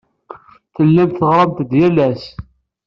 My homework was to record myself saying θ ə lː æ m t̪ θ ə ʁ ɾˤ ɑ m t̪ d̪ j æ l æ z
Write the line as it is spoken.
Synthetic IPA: θ ə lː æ m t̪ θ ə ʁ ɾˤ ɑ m t̪ d̪ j æ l æ s